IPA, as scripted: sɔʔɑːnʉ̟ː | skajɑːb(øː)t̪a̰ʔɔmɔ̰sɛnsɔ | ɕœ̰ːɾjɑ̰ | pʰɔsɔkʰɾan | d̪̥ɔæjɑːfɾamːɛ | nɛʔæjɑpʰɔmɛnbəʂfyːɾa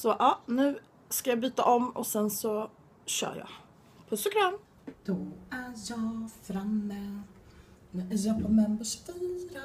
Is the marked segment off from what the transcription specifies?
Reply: yes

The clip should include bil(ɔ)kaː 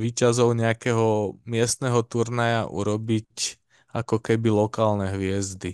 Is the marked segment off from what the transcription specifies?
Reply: no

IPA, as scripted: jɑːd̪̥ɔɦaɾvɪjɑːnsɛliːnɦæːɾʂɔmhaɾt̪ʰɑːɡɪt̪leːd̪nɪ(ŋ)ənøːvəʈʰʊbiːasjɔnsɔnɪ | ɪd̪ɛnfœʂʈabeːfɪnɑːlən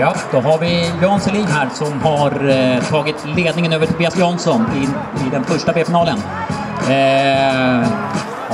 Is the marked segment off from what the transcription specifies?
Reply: no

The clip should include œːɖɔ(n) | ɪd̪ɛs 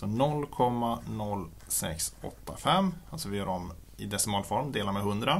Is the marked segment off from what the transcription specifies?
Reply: yes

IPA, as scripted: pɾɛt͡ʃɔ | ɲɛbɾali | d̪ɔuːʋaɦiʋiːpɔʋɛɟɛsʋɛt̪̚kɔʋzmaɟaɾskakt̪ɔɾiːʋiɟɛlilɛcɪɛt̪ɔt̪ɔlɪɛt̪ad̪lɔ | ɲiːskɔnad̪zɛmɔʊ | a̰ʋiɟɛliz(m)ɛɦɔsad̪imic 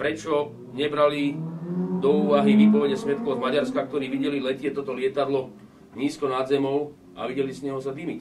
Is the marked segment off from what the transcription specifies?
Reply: yes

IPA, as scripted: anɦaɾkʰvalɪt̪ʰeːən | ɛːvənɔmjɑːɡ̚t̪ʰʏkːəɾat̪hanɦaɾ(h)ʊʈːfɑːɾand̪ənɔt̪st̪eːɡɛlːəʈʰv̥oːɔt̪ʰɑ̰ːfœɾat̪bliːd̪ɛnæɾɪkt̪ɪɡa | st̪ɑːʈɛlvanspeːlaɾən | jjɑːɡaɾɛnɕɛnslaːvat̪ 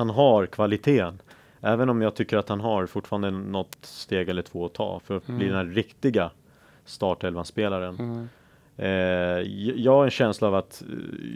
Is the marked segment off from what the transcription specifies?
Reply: yes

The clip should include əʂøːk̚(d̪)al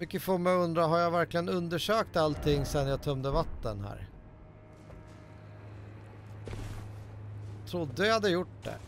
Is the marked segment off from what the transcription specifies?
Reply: yes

